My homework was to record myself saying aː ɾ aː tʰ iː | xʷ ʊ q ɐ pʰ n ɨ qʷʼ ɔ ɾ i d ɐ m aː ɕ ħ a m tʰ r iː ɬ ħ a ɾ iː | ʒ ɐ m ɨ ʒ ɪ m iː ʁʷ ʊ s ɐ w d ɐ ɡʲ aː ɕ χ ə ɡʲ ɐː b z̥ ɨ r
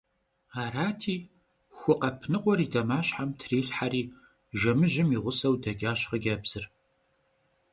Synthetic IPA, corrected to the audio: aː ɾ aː tʰ iː | xʷ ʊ q ɐ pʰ n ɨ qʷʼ ɔ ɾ i d ɐ m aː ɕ ħ a m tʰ r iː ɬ ħ a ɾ iː | ʒ ɐ m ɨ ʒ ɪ m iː ʁʷ ʊ s ɐ w d ɐ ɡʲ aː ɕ χ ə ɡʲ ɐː b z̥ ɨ r